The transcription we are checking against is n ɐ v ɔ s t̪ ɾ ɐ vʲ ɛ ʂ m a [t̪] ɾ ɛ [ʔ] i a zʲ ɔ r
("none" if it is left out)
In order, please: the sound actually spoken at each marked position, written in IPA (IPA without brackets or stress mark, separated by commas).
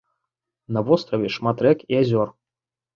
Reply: t̪, k